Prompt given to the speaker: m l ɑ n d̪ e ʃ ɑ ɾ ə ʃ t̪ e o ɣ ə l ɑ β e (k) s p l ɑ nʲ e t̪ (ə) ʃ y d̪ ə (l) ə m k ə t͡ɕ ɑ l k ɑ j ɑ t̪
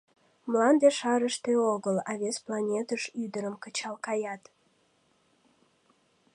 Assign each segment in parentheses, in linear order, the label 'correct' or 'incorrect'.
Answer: incorrect, correct, incorrect

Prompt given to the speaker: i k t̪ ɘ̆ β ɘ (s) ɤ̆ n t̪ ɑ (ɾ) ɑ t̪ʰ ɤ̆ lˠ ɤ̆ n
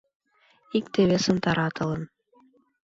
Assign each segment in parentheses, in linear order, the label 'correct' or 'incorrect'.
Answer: correct, correct

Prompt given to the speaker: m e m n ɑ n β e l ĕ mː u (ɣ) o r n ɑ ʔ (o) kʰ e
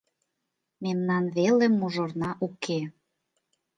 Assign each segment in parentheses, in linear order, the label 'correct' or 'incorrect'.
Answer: incorrect, incorrect

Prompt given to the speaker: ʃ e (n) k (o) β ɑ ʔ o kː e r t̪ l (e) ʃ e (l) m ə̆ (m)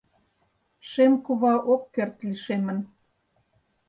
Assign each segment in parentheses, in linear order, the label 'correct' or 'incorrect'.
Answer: incorrect, incorrect, incorrect, incorrect, incorrect

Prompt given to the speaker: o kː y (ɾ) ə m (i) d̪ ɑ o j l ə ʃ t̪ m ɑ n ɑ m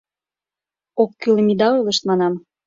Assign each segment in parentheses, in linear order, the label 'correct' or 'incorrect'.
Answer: incorrect, correct

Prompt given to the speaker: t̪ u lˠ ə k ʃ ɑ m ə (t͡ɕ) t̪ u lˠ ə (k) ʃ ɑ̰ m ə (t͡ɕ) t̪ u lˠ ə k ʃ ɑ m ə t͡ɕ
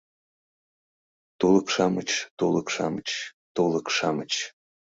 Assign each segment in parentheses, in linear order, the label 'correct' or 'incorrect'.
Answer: correct, correct, correct

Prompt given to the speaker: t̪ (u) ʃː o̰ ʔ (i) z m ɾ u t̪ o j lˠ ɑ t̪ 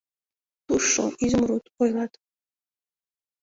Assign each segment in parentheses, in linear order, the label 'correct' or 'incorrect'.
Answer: correct, correct

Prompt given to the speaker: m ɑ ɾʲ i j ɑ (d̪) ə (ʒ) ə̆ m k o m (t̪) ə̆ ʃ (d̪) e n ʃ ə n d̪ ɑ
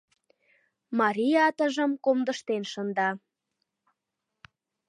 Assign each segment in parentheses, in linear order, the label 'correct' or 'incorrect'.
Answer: incorrect, correct, incorrect, incorrect

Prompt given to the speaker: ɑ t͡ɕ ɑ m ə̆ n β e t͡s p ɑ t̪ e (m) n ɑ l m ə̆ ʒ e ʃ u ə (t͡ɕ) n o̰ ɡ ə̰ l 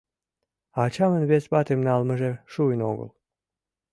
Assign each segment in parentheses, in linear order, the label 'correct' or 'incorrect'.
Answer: correct, incorrect

